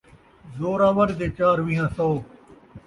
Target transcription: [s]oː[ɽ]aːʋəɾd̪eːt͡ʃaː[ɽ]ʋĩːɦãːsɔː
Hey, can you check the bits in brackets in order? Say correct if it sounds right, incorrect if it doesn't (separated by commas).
incorrect, incorrect, incorrect